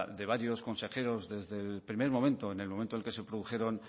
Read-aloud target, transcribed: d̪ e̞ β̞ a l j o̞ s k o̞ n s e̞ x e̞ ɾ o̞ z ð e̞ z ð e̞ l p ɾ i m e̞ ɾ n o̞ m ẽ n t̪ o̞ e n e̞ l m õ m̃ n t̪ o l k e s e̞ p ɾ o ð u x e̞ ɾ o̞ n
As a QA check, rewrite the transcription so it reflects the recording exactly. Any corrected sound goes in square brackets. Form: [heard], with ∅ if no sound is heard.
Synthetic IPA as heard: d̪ e̞ β̞ a [ɾ] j o̞ s k o̞ n s e̞ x e̞ ɾ o̞ z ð e̞ z ð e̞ l p ɾ i m e̞ ɾ [m] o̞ m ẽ n t̪ o̞ e n e̞ l m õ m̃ n t̪ o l k e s e̞ p ɾ o ð u x e̞ ɾ o̞ n